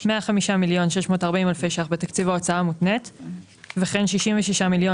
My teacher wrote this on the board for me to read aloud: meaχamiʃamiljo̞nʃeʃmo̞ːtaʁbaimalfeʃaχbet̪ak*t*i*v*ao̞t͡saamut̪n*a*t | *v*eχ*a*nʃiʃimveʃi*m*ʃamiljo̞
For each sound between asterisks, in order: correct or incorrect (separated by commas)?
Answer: incorrect, correct, incorrect, correct, incorrect, incorrect